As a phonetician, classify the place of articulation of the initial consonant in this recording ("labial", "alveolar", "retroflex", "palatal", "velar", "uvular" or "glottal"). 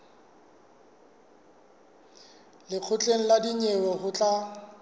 alveolar